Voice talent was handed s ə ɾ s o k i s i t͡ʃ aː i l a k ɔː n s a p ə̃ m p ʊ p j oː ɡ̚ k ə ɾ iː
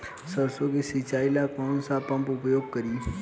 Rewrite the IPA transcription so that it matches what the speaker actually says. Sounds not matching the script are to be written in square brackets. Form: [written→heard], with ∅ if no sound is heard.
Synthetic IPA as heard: s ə ɾ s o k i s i t͡ʃ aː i l a k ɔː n s a p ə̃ m p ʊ p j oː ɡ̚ k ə ɾ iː